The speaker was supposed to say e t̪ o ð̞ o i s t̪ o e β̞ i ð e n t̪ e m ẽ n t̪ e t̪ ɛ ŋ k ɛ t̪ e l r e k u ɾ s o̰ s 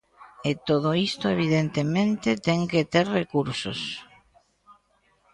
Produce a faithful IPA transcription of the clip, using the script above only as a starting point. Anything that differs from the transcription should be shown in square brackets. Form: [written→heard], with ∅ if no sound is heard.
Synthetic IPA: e t̪ o ð̞ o i s t̪ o e β̞ i ð e n t̪ e m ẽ n t̪ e t̪ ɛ ŋ k [ɛ→e] t̪ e [l→ɾ] r e k u ɾ s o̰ s